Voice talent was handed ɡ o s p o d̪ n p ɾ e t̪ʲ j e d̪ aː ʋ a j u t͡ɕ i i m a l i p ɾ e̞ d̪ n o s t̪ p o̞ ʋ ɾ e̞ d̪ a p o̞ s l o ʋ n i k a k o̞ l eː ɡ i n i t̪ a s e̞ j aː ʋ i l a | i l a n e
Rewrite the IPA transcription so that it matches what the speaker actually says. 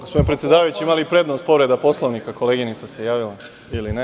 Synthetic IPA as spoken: ɡ o s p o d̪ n p ɾ e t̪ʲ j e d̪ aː ʋ a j u t͡ɕ i i m a l i p ɾ e̞ d̪ n o s t̪ p o̞ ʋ ɾ e̞ d̪ a p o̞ s l o ʋ n i k a k o̞ l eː ɡ i n i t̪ a s e̞ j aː ʋ i l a | i l i n e